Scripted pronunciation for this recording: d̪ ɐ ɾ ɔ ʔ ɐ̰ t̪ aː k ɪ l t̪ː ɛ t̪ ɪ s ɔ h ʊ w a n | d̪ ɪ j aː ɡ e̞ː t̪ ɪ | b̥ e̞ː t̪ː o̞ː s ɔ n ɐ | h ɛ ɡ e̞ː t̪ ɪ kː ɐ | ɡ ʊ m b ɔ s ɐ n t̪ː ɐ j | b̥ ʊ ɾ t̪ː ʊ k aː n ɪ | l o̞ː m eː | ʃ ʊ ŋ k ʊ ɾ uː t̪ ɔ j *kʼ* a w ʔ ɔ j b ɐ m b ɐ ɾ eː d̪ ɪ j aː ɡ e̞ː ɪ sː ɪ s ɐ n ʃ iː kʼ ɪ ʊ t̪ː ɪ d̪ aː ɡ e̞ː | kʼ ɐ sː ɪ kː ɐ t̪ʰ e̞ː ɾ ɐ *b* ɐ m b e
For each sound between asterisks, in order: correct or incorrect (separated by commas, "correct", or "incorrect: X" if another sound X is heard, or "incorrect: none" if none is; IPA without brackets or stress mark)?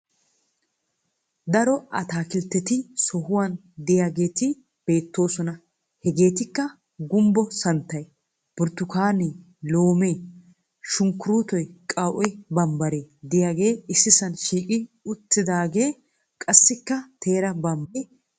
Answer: correct, correct